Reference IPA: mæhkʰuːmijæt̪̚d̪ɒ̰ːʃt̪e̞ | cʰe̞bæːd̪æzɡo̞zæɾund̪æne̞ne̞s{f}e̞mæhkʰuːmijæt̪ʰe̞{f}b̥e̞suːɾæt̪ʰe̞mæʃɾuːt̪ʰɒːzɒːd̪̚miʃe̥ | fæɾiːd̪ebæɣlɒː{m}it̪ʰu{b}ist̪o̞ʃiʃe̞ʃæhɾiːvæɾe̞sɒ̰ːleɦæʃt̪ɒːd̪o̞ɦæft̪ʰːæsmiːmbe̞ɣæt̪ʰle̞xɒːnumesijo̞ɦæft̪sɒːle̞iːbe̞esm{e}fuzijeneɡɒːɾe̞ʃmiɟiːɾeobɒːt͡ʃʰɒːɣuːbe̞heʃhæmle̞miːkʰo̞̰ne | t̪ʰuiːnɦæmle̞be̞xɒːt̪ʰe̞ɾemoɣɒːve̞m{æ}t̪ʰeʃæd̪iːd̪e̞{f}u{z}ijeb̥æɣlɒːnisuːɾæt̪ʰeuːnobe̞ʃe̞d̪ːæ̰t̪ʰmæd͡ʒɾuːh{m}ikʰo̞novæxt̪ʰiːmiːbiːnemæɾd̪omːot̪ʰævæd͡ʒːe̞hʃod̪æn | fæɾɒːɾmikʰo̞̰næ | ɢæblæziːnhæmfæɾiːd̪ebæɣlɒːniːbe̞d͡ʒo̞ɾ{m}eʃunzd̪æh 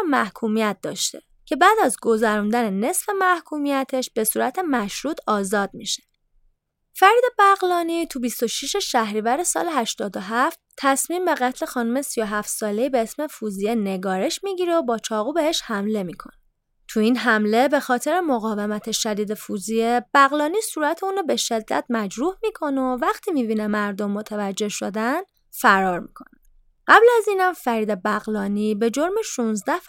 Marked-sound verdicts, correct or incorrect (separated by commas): correct, incorrect, incorrect, correct, correct, correct, correct, correct, correct, correct